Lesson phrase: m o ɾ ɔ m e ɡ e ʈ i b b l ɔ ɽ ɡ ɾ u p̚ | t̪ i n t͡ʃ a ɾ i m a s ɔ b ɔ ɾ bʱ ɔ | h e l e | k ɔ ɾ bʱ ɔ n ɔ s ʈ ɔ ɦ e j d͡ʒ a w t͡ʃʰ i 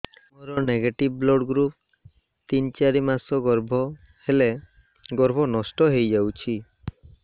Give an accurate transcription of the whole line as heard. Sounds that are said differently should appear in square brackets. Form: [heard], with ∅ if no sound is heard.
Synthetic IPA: m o ɾ ɔ [n] e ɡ e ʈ i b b l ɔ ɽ ɡ ɾ u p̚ | t̪ i n t͡ʃ a ɾ i m a s ɔ [ɡ] ɔ ɾ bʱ ɔ | h e l e | [ɡ] ɔ ɾ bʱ ɔ n ɔ s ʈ ɔ ɦ e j d͡ʒ a w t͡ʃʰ i